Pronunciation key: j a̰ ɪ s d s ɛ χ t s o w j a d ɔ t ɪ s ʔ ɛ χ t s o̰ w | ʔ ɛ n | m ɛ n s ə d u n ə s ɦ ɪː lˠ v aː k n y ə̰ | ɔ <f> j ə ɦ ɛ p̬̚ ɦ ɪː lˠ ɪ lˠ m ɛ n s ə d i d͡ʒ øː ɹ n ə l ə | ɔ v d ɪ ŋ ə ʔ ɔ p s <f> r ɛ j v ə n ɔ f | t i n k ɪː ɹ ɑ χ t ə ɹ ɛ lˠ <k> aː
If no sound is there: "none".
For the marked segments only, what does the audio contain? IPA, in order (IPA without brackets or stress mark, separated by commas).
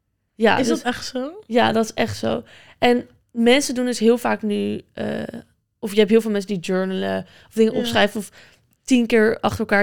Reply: f, χ, k